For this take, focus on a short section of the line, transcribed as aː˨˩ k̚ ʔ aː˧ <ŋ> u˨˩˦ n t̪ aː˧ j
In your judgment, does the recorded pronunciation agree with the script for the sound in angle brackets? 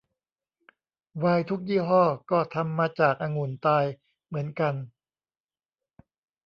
yes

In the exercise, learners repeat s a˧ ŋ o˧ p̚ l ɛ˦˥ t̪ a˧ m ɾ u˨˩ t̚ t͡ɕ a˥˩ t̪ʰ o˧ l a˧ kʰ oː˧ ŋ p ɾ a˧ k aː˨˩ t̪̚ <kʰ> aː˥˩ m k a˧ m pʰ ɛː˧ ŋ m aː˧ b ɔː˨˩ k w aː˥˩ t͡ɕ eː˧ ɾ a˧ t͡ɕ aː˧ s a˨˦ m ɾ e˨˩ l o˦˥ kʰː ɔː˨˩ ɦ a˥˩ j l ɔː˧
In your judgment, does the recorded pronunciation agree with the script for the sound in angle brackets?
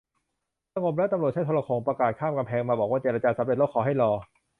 yes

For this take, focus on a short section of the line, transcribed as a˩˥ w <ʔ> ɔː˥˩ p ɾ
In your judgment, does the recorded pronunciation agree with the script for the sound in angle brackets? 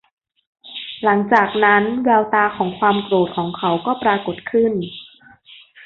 no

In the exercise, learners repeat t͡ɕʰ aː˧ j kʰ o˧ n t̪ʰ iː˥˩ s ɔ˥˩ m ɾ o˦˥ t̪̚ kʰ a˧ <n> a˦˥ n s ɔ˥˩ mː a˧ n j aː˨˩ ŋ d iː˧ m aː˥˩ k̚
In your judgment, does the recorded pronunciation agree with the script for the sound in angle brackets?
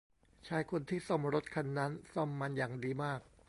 no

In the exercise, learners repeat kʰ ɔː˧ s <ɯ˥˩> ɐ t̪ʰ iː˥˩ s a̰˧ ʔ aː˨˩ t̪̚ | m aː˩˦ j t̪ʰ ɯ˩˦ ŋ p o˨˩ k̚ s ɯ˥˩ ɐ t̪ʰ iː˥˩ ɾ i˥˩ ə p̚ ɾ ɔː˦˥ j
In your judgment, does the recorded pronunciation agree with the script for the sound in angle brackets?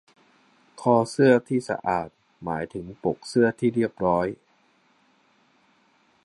yes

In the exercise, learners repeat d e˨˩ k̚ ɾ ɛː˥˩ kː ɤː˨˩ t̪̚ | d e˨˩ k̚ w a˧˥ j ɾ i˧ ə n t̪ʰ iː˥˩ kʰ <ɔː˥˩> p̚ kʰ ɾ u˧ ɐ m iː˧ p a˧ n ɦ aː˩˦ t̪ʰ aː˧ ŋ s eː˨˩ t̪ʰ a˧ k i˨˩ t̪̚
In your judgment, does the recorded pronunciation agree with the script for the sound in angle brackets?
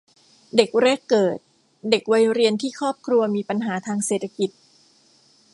yes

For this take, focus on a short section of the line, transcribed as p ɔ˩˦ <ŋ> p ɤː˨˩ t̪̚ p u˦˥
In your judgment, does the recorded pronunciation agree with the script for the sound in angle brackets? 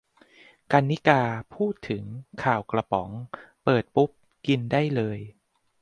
yes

